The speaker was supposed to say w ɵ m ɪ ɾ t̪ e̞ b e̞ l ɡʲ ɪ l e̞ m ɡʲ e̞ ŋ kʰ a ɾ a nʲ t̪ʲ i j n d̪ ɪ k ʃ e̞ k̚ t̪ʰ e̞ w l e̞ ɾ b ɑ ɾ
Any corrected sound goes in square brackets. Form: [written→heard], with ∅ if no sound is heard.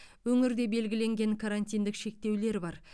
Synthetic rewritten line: w ɵ [m→ŋ] ɪ ɾ [t̪→d̪] e̞ b e̞ l ɡʲ ɪ l e̞ [m→ŋ] ɡʲ e̞ ŋ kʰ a ɾ a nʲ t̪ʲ i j n d̪ ɪ k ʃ e̞ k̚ [t̪ʰ→t̪] e̞ w l e̞ ɾ b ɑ ɾ